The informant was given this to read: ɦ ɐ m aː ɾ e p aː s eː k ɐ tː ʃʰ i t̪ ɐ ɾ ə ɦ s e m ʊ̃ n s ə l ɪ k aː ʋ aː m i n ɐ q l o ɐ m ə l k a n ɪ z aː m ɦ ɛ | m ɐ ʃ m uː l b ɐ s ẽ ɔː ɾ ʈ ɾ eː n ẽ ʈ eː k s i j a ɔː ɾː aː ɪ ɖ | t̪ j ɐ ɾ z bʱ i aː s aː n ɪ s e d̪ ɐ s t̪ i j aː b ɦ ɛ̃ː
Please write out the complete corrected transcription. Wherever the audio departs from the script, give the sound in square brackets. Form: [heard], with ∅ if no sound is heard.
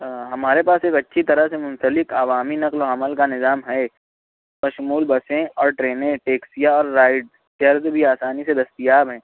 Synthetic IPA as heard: ɦ ɐ m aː ɾ e p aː s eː k ɐ tː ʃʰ i t̪ ɐ ɾ ə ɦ s e m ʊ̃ n s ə l ɪ k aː ʋ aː m i n ɐ q l o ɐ m ə l k a n ɪ z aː m ɦ ɛ | m ɐ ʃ m uː l b ɐ s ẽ ɔː ɾ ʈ ɾ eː n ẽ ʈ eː k s i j a ɔː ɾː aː ɪ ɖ | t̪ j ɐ ɾ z bʱ i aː s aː n [i] s e d̪ ɐ s t̪ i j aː b ɦ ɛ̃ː

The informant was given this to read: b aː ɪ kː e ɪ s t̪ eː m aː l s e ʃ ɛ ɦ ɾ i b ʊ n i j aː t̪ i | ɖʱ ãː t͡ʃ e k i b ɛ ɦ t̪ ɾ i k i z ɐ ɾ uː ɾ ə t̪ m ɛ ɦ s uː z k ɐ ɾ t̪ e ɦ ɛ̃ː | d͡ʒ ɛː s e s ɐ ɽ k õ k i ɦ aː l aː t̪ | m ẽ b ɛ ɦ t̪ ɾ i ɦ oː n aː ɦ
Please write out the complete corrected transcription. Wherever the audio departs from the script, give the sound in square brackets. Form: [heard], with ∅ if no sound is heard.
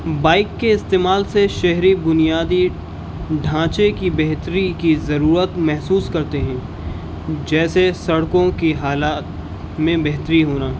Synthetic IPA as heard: b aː ɪ kː e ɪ s t̪ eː m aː l s e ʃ ɛ ɦ ɾ i b ʊ n i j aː [d̪] i | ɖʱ ãː t͡ʃ e k i b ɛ ɦ t̪ ɾ i k i z ɐ ɾ uː ɾ ə t̪ m ɛ ɦ s uː [s] k ɐ ɾ t̪ e ɦ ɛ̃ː | d͡ʒ ɛː s e s ɐ ɽ k õ k i ɦ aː l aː t̪ | m ẽ b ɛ ɦ t̪ ɾ i ɦ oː n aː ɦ

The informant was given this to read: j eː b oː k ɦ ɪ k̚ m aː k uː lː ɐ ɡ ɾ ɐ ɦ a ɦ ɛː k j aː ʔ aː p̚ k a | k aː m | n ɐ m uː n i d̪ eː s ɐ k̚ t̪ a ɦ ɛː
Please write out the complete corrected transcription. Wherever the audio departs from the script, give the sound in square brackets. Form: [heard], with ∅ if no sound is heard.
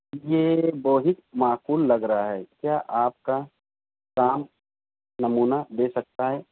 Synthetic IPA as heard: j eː b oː [∅] ɦ ɪ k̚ m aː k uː lː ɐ ɡ ɾ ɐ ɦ a ɦ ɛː k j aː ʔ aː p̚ k a | k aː m | n ɐ m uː n [a] d̪ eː s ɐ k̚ t̪ a ɦ ɛː

